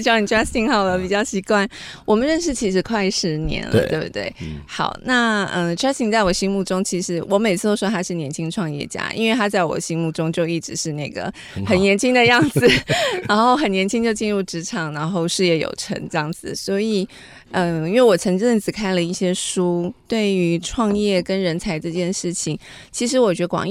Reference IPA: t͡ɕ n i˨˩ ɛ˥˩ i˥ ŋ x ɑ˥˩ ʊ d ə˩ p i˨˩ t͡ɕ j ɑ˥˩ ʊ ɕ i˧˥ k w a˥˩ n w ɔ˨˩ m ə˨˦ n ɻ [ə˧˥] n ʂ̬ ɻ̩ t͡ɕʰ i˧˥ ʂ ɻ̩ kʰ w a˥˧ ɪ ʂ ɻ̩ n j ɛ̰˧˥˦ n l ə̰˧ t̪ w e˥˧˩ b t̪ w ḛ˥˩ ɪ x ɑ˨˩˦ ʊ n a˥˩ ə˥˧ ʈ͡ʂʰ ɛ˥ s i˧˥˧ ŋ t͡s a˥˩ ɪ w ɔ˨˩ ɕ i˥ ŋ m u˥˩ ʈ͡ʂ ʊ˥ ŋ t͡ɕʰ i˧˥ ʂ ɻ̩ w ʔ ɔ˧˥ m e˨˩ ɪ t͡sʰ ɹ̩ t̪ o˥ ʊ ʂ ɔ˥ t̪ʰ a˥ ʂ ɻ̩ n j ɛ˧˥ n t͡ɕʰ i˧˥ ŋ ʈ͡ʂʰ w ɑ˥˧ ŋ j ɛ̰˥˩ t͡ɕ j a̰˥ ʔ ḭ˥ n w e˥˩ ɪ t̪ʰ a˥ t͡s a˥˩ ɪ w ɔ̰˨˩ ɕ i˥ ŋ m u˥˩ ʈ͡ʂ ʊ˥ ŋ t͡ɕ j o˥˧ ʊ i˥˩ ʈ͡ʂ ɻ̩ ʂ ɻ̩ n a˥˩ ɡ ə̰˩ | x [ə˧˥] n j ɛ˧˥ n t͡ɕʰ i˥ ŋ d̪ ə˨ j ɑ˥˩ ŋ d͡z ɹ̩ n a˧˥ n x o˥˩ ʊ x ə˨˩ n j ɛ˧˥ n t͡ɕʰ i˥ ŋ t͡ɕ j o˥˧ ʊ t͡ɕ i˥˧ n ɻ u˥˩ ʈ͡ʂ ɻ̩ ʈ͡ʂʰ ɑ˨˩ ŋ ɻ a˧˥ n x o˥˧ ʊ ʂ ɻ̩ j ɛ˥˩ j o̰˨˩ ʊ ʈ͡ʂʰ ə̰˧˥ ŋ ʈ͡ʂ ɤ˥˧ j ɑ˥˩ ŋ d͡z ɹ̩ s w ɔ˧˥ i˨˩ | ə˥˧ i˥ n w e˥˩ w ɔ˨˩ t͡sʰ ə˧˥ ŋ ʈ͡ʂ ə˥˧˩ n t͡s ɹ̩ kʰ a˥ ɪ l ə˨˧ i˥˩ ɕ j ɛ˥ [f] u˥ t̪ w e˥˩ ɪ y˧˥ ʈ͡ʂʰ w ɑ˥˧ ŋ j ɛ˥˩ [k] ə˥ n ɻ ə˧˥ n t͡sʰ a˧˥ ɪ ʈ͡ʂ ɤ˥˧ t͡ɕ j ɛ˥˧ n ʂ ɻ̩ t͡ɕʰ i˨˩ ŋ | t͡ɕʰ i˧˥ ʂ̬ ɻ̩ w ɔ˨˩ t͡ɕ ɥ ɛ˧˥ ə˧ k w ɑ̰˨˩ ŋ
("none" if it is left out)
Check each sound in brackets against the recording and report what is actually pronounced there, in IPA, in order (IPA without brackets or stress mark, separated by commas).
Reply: ə˥˧, ə˨˩, ʂ, k